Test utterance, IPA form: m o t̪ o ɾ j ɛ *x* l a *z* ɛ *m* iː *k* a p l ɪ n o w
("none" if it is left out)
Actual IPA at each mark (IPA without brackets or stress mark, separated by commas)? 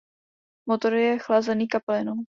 x, z, n, k